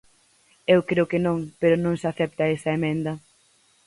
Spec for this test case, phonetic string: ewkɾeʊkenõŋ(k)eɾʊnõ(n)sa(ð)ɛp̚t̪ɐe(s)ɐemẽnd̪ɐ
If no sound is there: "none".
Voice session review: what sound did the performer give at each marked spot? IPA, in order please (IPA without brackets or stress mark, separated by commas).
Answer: p, ŋ, θ, s